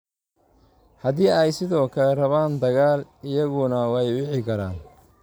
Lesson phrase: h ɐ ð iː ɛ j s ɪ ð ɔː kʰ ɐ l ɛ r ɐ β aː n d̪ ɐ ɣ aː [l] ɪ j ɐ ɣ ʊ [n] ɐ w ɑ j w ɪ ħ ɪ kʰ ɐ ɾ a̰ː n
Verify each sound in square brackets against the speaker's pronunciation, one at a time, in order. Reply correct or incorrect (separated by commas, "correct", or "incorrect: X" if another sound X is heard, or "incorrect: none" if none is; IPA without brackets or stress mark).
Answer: correct, correct